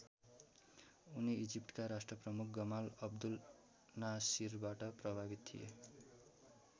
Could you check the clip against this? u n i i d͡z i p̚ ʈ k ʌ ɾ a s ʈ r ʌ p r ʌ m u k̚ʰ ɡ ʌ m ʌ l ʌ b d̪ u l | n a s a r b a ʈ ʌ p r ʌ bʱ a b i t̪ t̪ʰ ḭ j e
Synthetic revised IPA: u n i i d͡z i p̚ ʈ k a ɾ a s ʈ r ʌ p r ʌ m u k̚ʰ ɡ ʌ m a l ʌ b d̪ u l | n a s i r b a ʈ ʌ p r ʌ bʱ a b i t̪ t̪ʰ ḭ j e

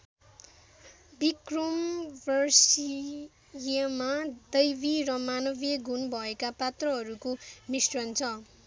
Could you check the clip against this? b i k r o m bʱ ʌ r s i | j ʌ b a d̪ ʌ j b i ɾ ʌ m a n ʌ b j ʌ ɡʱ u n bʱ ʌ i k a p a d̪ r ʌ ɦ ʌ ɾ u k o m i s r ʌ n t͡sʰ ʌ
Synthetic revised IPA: b i k r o m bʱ ʌ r s i | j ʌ m a d̪ ʌ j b i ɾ ʌ m a n ʌ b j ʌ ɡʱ u n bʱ ʌ e k a p a t̪ r ʌ ɦ ʌ ɾ u k o m i s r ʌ n t͡sʰ ʌ

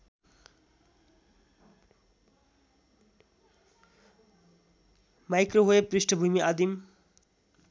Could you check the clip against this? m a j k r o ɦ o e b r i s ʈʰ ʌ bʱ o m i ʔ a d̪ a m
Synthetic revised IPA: m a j k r o ɦ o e p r i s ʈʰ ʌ bʱ u m i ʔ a d̪ i m

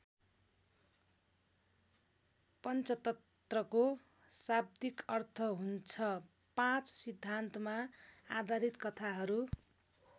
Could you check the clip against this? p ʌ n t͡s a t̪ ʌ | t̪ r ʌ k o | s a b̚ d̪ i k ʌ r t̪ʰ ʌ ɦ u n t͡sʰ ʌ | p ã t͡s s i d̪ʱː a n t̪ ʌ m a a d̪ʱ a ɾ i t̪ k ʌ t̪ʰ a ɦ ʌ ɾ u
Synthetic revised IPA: p ʌ n t͡s ʌ t̪ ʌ | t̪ r ʌ k o | s a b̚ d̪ i k ʌ r t̪ʰ ʌ ɦ u n t͡sʰ ʌ | p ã t͡s s i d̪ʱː a n t̪ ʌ m a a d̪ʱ a ɾ i t̪ k ʌ t̪ʰ a ɦ ʌ ɾ u

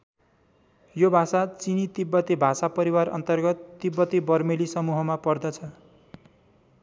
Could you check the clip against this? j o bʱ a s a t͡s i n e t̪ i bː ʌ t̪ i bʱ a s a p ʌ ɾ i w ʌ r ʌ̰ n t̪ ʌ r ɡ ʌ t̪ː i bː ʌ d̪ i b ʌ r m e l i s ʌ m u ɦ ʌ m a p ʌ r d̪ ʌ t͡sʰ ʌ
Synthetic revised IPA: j o bʱ a s a t͡s i n i t̪ i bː ʌ t̪ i bʱ a s a p ʌ ɾ i w a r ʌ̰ n t̪ ʌ r ɡ ʌ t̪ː i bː ʌ t̪ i b ʌ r m e l i s ʌ m u ɦ ʌ m a p ʌ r d̪ ʌ t͡sʰ ʌ

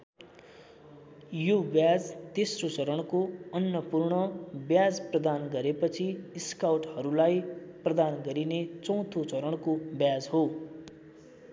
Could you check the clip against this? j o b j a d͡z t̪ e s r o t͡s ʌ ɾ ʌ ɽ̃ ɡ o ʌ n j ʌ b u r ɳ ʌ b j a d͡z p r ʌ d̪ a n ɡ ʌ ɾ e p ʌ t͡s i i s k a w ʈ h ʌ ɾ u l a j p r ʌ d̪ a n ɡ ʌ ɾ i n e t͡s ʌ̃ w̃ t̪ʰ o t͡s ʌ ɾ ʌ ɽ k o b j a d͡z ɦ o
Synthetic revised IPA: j o b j a d͡z t̪ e s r o t͡s ʌ ɾ ʌ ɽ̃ k o ʌ n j ʌ p u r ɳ ʌ b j a d͡z p r ʌ d̪ a n ɡ ʌ ɾ e p ʌ t͡sʰ i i s k a w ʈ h ʌ ɾ u l a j p r ʌ d̪ a n ɡ ʌ ɾ i n e t͡s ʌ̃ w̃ t̪ʰ o t͡s ʌ ɾ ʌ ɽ k o b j a d͡z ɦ o

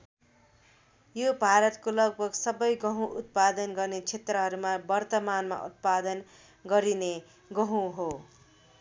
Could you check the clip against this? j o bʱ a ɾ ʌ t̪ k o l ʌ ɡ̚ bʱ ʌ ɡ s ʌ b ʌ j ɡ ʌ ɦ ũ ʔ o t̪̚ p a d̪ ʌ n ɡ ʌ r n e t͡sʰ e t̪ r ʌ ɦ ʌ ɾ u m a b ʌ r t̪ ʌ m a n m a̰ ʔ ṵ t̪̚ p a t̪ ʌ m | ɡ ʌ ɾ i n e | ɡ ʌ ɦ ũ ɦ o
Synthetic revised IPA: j o bʱ a ɾ ʌ t̪ k o l ʌ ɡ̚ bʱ ʌ ɡ s ʌ b ʌ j ɡ ʌ ɦ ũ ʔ u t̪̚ p a d̪ ʌ n ɡ ʌ r n e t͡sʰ e t̪ r ʌ ɦ ʌ ɾ u m a b ʌ r t̪ ʌ m a n m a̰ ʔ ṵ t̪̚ p a d̪ ʌ n | ɡ ʌ ɾ i n e | ɡ ʌ ɦ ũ ɦ o

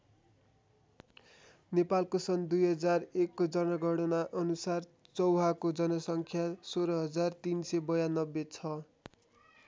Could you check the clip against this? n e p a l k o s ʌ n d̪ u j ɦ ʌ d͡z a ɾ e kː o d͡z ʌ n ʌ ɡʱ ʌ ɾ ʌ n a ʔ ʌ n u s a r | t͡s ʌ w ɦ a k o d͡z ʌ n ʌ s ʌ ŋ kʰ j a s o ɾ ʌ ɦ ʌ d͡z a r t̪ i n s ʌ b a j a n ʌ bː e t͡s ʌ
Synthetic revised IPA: n e p a l k o s ʌ n d̪ u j ɦ ʌ d͡z a r e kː o d͡z ʌ n ʌ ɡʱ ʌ ɽ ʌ n a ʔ ʌ n u s a r | t͡s ʌ w ɦ a k o d͡z ʌ n ʌ s ʌ ŋ kʰ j a s o ɾ ʌ ɦ ʌ d͡z a r t̪ i n s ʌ b ʌ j a n ʌ bː e t͡sʰ ʌ

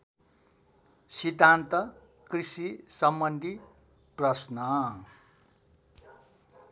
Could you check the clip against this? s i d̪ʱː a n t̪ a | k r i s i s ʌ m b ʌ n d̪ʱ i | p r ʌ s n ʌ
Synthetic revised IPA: s i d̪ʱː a n t̪ ʌ | k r i s i s ʌ m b ʌ n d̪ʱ i | p r ʌ s n ʌ

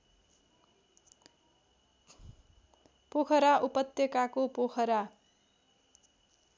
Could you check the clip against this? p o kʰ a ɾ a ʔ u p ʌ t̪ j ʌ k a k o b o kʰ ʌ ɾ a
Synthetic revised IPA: p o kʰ ʌ ɾ a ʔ u p ʌ t̪ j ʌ k a k o p o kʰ ʌ ɾ a

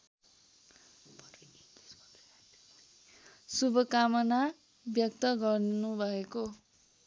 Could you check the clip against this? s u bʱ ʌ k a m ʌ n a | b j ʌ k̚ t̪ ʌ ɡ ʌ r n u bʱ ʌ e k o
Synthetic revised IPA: s u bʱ ʌ k a m ʌ n a | b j ʌ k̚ t̪ ʌ ɡ ʌ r n u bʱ ʌ e k o

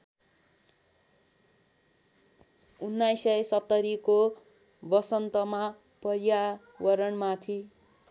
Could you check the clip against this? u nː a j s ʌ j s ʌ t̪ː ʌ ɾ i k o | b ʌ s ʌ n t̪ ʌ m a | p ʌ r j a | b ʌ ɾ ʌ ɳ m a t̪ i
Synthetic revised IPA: u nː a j s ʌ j s ʌ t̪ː ʌ ɾ i k o | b ʌ s ʌ n t̪ ʌ m a | p ʌ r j a | w ʌ ɾ ʌ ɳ m a t̪ʰ i

